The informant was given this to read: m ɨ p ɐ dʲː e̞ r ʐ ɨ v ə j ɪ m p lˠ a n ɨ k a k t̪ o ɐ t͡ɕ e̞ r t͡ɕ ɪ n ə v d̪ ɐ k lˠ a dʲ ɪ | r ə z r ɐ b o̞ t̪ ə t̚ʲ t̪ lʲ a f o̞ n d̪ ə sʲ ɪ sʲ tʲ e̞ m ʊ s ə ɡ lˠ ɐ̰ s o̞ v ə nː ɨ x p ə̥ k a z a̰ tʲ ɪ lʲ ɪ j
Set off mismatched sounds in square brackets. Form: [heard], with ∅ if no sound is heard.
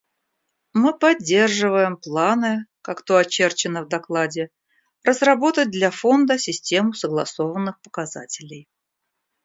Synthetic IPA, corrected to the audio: m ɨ p ɐ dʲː e̞ r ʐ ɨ v ə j ɪ m p lˠ a n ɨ k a k t̪ o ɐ t͡ɕ e̞ r t͡ɕ ɪ n ə v d̪ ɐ k lˠ a dʲ ɪ | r ə z r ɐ b o̞ t̪ ə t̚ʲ [d̪] lʲ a f o̞ n d̪ ə sʲ ɪ sʲ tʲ e̞ m ʊ s ə ɡ lˠ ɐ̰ s o̞ v ə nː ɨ x p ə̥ k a z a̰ tʲ ɪ lʲ ɪ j